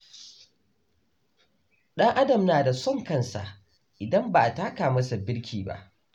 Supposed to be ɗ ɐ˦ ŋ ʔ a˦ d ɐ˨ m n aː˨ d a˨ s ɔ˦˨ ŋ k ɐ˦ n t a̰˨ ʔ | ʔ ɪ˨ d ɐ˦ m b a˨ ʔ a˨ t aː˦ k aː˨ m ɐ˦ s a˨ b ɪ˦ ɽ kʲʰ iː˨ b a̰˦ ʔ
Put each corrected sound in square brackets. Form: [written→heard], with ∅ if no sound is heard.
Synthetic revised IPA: ɗ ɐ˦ ŋ ʔ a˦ d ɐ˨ m n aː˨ d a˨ s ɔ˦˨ ŋ k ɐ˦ n [t→s] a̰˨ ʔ | ʔ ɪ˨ d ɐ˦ m b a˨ ʔ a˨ t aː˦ k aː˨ m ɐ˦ s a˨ b ɪ˦ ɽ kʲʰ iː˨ b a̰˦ ʔ